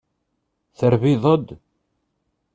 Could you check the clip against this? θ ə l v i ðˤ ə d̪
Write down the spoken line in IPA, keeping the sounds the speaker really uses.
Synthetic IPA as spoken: θ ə ɾ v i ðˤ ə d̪